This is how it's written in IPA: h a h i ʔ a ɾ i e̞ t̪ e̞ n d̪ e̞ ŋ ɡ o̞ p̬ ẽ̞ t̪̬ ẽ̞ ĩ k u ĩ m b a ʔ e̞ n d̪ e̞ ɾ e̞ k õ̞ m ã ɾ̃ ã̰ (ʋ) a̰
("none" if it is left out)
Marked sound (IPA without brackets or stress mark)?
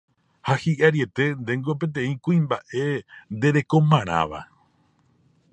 ʋ